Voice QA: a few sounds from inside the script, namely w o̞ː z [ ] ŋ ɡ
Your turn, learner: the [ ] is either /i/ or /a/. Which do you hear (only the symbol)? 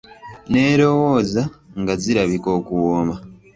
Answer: a